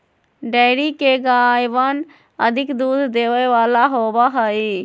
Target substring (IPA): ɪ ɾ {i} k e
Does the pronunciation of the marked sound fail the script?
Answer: no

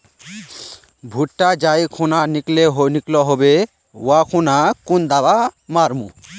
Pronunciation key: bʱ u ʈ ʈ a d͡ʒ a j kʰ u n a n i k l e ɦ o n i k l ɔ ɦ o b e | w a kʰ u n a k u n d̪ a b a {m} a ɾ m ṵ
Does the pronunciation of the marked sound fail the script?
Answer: no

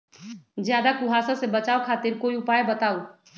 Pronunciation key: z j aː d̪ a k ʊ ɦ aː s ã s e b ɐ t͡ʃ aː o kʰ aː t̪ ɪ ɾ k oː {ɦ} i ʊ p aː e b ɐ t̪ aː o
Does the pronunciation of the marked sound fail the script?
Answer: yes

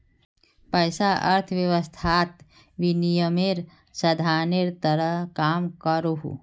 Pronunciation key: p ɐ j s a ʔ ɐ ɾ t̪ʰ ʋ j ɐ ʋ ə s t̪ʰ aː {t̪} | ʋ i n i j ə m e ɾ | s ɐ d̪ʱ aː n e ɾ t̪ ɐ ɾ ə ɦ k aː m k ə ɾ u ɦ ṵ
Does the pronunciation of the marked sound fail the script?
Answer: no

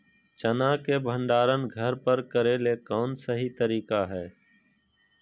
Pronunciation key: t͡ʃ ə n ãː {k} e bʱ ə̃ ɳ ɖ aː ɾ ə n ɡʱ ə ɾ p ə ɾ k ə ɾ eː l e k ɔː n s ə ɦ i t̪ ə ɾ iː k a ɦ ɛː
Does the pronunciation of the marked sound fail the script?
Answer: no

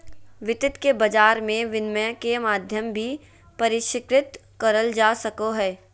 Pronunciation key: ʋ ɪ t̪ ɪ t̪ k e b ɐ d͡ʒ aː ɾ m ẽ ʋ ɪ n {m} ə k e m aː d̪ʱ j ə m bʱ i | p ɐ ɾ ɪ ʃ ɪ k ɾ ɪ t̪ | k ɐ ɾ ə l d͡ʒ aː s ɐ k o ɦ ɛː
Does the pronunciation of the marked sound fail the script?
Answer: no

